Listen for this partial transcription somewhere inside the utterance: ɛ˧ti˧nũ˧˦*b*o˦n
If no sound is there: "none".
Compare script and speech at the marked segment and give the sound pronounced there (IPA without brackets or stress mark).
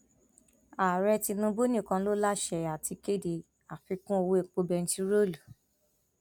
b